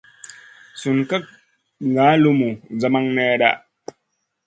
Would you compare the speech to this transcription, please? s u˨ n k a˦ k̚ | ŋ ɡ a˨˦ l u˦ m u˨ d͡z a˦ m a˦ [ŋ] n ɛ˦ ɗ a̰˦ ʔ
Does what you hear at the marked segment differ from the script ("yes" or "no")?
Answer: no